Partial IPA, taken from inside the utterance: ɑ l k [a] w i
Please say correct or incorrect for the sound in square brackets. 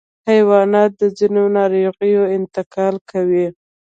correct